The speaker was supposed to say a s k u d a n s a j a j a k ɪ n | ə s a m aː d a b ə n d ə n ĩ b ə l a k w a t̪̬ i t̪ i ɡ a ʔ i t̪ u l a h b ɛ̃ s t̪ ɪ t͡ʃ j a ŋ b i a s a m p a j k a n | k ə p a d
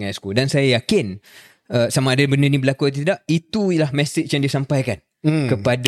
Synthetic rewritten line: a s k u d a n s a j a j a k ɪ n | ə s a m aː d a b ə n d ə n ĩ b ə l a k u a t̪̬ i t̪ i d a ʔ i t̪ u l a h m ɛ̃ s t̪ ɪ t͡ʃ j a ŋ d i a s a m p a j k a n | k ə p a d